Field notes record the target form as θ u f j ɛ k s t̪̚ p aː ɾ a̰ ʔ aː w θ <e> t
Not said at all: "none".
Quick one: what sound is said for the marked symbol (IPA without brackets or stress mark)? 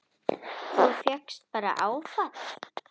a